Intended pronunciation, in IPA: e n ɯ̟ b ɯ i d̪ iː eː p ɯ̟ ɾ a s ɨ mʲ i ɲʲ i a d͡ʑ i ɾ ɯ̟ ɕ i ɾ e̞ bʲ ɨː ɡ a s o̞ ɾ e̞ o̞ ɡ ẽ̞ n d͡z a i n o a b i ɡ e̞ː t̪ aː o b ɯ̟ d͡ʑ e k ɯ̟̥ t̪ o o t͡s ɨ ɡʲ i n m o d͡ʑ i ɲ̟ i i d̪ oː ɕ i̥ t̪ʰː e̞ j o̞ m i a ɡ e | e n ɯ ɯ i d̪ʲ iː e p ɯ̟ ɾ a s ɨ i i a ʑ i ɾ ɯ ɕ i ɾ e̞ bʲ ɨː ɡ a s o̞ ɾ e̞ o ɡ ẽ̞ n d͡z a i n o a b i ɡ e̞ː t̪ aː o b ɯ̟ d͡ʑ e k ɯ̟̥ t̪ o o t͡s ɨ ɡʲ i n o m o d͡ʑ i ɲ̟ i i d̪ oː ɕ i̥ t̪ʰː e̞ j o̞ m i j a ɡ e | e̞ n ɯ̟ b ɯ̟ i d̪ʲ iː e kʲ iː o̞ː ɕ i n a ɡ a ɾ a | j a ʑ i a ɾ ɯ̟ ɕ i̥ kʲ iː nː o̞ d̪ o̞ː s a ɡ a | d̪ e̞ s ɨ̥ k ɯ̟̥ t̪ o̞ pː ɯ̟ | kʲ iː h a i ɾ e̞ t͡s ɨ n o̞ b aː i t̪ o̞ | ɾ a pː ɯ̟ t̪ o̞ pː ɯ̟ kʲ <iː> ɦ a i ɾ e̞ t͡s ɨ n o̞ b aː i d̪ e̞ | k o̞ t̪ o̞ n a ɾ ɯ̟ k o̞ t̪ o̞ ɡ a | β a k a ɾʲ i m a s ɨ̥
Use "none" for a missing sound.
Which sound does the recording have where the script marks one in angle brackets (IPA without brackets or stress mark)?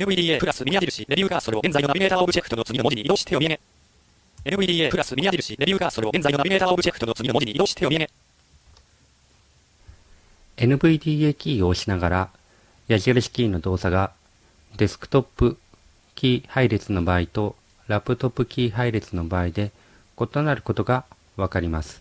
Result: iː